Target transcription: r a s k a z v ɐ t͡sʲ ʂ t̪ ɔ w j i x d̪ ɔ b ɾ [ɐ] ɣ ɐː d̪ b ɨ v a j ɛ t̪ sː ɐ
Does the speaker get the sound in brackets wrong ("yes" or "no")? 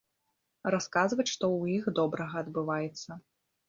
no